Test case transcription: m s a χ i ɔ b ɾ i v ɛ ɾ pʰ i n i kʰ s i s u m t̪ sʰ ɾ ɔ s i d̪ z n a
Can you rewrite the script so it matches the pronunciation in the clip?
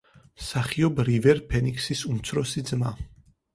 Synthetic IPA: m s a χ i ɔ b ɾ i v ɛ ɾ pʰ ɛ n i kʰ s i s u m t̪ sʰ ɾ ɔ s i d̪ z m a